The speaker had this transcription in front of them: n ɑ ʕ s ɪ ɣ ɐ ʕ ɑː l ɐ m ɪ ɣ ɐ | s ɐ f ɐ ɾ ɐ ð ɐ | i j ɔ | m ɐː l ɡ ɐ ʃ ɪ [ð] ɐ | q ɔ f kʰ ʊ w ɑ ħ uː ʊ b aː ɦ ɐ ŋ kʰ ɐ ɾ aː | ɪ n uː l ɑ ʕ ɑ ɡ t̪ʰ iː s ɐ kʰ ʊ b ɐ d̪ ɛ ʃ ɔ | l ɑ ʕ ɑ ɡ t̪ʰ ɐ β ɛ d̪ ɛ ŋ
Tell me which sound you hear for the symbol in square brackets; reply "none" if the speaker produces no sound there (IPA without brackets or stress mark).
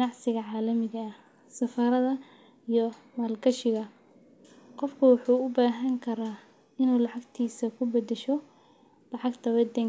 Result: ɣ